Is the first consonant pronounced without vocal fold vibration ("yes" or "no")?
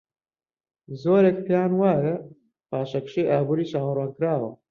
no